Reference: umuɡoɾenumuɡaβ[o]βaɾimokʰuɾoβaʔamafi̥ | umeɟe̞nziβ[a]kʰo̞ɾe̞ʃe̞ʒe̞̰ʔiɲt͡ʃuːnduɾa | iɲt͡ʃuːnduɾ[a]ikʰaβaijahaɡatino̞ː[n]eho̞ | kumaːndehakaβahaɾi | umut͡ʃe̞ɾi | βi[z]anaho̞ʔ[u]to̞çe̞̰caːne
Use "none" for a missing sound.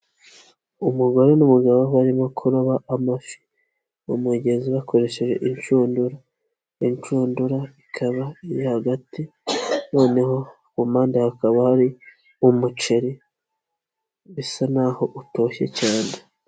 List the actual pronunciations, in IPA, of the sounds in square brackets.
o, a, a, n, s, u

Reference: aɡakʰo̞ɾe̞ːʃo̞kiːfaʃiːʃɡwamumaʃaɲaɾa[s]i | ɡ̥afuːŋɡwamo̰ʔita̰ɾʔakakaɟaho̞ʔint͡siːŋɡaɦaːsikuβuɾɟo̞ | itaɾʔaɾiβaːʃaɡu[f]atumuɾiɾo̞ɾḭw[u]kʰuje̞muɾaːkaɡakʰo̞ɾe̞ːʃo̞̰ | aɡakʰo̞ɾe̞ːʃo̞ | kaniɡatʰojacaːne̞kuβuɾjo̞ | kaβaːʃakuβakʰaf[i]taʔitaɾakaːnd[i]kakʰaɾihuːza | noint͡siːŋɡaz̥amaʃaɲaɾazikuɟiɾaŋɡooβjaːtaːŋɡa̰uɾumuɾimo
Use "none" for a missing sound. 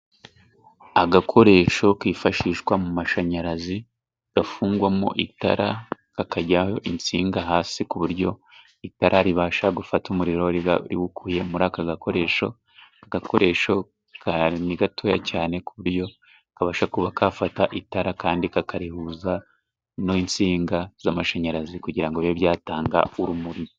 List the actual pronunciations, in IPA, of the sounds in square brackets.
z, f, u, a, i

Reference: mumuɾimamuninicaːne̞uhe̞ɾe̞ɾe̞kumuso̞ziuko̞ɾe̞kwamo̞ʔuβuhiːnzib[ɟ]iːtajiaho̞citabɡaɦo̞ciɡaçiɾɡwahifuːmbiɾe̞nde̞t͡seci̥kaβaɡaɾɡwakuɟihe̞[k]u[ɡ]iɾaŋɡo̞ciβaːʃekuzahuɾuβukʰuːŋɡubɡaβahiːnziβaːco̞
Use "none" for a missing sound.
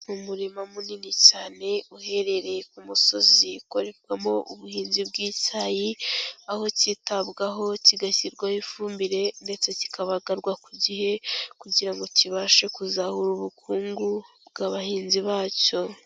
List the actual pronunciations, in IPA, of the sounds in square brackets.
ɡ, k, ɟ

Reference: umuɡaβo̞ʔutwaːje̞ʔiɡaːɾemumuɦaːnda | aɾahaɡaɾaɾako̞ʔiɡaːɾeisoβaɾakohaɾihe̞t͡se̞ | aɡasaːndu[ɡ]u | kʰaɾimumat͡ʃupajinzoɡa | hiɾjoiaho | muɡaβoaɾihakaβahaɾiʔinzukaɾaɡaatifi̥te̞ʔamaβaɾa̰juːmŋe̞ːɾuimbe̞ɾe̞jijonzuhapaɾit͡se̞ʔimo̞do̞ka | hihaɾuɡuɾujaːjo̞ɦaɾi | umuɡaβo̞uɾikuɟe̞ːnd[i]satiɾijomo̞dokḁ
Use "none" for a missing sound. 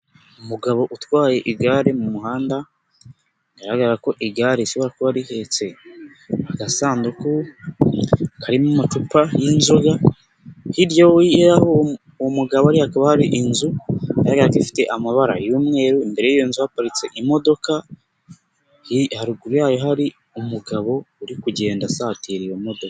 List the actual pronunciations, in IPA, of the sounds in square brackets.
k, a

